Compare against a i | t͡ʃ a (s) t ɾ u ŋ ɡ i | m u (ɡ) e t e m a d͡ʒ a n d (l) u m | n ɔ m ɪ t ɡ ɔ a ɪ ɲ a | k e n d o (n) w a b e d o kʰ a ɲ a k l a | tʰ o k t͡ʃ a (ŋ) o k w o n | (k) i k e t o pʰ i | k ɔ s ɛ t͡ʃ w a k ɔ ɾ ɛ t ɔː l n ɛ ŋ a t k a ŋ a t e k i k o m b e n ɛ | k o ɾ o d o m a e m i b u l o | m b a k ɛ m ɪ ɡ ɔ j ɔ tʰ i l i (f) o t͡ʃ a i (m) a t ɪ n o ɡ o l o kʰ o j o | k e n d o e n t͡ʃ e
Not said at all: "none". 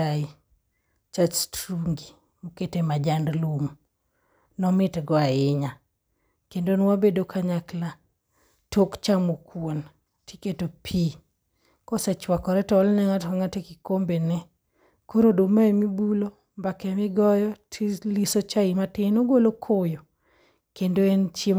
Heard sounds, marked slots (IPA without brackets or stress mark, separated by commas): s, k, l, n, m, t, s, m